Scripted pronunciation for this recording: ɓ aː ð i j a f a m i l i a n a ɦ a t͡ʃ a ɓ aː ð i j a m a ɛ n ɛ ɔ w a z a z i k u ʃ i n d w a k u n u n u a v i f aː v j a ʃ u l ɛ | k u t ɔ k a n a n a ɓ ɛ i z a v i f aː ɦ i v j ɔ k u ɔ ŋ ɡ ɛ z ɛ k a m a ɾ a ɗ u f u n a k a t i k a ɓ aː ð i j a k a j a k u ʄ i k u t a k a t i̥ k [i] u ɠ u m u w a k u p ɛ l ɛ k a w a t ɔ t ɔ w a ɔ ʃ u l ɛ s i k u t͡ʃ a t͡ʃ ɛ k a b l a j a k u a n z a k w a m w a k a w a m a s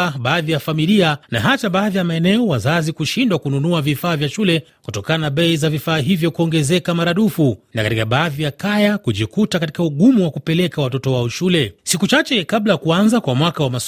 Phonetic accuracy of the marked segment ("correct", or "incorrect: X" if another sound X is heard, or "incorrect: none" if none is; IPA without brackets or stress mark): incorrect: a